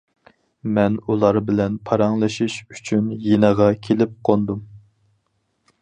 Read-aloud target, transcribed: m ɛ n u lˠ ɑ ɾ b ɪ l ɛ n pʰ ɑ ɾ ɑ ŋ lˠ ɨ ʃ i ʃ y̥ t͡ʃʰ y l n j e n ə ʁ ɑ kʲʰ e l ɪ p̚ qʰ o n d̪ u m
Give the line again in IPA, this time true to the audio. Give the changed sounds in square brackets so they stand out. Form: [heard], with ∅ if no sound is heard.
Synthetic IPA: m ɛ n u lˠ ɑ ɾ b ɪ l ɛ n pʰ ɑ ɾ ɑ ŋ lˠ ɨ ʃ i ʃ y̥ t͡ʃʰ y [∅] n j e n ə ʁ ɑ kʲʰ e l ɪ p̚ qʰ o n d̪ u m